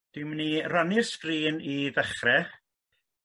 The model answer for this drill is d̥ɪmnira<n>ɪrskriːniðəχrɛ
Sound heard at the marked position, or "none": n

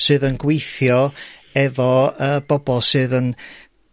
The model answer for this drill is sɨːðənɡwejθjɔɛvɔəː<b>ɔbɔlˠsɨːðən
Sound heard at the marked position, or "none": b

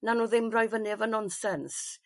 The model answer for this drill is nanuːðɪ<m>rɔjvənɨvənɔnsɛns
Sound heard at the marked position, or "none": m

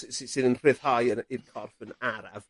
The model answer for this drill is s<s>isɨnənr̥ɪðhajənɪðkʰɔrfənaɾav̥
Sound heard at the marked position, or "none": s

